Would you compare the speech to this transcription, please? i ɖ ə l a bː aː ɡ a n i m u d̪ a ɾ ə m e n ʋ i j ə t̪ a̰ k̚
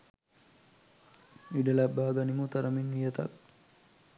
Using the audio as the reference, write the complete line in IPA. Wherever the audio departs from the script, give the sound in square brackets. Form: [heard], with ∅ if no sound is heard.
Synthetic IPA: i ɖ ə l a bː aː ɡ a n i m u [t̪] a ɾ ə m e n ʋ i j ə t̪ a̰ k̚